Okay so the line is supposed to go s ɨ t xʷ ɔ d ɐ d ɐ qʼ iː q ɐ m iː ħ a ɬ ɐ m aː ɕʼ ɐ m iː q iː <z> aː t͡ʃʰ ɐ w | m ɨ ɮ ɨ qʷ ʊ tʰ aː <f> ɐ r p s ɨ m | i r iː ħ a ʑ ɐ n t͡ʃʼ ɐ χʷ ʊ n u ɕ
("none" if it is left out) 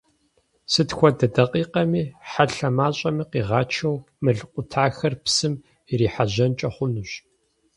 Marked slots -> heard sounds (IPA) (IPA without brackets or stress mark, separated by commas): ʁ, x